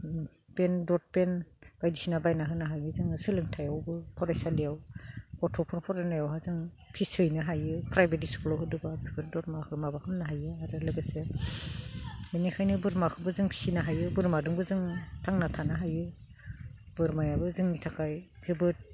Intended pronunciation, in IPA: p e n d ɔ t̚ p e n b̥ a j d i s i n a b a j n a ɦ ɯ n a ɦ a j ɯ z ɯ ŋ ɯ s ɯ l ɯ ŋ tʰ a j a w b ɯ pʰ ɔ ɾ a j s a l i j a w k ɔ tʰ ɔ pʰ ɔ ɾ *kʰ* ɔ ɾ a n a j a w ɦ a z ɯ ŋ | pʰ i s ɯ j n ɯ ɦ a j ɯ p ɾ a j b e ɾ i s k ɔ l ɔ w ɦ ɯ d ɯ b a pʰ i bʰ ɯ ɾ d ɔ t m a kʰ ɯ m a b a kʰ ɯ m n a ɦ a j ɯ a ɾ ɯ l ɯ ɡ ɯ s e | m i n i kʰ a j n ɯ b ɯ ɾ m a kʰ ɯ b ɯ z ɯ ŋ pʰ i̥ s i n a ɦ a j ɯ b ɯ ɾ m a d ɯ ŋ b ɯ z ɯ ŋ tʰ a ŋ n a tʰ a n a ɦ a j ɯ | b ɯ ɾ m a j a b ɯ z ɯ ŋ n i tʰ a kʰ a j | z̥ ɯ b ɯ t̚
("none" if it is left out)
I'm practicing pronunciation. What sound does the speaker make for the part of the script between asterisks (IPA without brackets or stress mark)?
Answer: pʰ